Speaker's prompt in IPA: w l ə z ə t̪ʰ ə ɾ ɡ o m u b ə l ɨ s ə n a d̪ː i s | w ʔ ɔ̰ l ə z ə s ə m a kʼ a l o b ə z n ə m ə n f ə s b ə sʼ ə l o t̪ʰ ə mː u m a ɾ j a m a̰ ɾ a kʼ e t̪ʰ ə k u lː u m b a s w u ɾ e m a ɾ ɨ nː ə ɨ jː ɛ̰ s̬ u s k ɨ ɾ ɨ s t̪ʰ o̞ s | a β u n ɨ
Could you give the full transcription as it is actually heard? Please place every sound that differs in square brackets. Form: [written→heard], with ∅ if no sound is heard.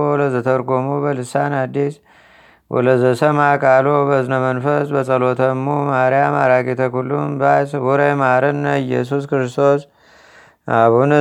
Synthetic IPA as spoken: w l ə z ə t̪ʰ ə ɾ ɡ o m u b ə l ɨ s [ə→a] n a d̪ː i s | w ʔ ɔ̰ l ə z ə s ə m a kʼ a l o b ə z n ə m ə n f ə s b ə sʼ ə l o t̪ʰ ə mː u m a ɾ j a m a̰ ɾ a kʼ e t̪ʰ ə k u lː u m b a s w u ɾ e m a ɾ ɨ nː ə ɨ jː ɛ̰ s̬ u s k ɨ ɾ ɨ s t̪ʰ o̞ s | a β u n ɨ